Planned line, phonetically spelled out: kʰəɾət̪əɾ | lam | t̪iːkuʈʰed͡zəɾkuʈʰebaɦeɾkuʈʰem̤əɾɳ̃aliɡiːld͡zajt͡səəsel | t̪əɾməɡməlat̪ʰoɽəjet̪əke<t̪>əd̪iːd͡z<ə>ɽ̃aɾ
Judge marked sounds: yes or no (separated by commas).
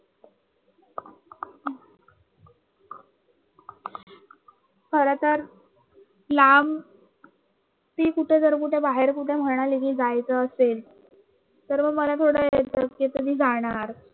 yes, no